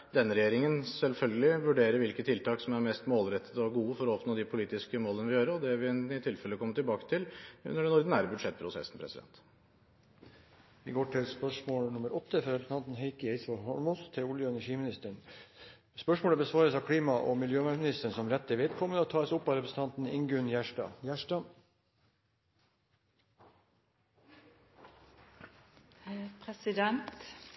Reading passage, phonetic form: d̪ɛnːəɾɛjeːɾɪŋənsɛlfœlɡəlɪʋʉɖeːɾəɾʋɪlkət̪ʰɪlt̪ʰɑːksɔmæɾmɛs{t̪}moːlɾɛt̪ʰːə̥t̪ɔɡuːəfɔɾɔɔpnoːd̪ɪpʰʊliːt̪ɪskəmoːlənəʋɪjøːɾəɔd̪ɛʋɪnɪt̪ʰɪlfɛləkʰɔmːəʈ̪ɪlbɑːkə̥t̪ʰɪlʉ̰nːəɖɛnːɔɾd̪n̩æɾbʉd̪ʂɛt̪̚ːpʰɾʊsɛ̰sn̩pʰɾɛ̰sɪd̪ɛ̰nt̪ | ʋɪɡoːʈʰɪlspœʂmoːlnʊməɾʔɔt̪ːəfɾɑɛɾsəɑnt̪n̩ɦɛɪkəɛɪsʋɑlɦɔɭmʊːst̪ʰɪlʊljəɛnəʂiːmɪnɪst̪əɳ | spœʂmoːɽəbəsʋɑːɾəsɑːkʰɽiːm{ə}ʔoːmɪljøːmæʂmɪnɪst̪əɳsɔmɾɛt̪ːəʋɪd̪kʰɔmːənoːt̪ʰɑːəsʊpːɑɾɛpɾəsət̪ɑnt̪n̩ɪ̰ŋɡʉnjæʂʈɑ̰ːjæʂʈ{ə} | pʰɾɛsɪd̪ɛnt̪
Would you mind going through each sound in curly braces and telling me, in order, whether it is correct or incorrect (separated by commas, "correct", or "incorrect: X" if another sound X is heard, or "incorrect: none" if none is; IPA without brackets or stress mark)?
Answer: correct, incorrect: ɑ, incorrect: ɑ